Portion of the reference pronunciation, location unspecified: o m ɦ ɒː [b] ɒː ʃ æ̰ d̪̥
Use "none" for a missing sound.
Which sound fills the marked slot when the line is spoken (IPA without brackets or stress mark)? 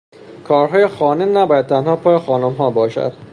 b